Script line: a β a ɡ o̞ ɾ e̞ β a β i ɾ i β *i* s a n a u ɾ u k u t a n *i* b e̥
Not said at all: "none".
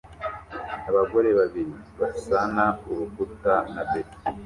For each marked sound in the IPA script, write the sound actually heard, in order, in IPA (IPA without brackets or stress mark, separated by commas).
a, a